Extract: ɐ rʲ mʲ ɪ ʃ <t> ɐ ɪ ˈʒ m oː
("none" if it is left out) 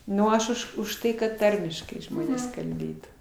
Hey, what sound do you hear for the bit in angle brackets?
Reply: k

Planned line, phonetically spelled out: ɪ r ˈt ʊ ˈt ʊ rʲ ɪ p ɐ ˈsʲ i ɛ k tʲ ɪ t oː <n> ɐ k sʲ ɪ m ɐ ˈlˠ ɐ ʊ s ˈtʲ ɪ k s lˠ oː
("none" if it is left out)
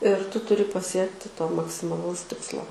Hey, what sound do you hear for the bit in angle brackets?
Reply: m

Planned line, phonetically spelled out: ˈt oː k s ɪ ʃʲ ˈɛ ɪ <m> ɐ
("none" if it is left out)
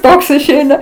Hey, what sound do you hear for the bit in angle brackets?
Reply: n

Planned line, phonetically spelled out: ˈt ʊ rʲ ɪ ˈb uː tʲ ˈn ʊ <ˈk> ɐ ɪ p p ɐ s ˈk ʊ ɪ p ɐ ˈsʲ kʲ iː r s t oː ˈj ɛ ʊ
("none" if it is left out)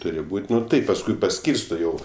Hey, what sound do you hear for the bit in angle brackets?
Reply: t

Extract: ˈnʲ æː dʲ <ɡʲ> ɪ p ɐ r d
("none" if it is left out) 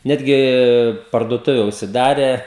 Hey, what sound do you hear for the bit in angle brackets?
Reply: ɡʲ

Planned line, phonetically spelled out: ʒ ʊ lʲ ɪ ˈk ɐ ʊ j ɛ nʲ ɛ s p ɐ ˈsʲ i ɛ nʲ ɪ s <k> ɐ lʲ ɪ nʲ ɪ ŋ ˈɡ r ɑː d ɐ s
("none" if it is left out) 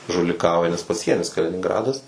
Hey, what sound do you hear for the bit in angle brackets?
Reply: k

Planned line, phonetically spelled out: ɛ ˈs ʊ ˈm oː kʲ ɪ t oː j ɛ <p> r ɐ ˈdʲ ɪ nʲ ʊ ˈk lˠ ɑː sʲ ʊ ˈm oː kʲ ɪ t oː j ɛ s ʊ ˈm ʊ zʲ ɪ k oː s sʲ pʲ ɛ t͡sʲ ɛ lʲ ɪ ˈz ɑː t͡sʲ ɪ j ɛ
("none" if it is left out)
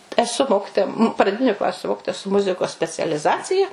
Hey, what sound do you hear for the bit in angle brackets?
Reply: p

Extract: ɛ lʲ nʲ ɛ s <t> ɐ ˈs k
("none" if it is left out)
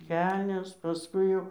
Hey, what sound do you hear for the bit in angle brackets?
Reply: p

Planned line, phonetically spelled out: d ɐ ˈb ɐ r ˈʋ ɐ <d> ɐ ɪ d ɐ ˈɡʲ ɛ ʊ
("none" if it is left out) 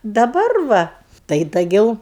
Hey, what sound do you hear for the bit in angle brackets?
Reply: t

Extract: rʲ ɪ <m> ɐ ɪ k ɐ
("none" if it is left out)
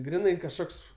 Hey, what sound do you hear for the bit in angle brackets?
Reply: n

